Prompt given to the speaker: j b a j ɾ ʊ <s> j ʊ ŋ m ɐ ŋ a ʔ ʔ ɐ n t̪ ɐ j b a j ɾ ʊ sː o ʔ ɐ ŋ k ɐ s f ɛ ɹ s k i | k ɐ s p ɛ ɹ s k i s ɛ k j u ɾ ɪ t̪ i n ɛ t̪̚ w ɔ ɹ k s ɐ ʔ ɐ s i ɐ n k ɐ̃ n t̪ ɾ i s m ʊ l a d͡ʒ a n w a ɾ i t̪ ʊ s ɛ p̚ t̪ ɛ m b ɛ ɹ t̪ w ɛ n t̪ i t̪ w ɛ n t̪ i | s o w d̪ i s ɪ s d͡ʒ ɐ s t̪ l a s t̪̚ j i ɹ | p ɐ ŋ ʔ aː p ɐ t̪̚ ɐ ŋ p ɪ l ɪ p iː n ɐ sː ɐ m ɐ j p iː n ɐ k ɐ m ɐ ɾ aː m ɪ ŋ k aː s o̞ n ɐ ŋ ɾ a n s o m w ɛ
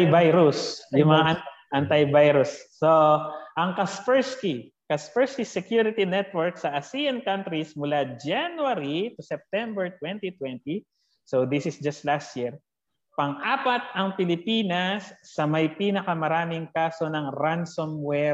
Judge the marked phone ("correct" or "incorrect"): correct